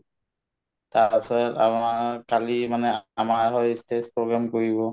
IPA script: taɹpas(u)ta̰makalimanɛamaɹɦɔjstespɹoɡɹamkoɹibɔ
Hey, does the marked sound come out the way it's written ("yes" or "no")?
no